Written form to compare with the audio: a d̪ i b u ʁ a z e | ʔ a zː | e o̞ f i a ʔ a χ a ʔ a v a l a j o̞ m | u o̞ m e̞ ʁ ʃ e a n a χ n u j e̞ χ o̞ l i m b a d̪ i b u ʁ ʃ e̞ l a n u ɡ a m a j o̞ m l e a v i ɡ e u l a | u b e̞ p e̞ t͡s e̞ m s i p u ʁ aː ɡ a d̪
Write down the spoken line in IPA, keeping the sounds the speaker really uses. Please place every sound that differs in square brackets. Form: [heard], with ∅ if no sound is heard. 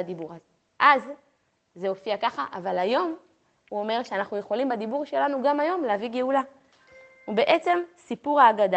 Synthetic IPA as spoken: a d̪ i b u ʁ a z e | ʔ a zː | e o̞ f i a [k] a χ a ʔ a v a l a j o̞ m | u o̞ m e̞ ʁ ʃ e a n a χ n u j e̞ χ o̞ l i m b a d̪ i b u ʁ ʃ e̞ l a n u ɡ a m a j o̞ m l e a v i ɡ e u l a | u b e̞ [ʔ] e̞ t͡s e̞ m s i p u ʁ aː ɡ a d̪